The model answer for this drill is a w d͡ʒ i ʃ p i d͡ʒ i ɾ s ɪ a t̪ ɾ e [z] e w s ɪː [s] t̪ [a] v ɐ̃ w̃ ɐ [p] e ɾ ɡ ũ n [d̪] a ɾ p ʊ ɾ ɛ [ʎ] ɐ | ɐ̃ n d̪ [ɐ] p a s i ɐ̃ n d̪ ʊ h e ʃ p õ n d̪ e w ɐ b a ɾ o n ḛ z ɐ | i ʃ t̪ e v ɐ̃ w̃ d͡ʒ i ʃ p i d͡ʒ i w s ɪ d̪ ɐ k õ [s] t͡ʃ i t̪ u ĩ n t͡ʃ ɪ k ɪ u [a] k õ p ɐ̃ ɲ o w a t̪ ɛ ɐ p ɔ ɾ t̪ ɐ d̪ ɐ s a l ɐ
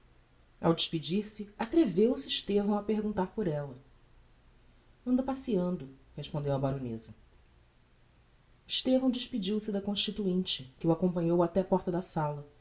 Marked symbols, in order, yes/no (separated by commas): no, no, no, yes, no, no, yes, no, yes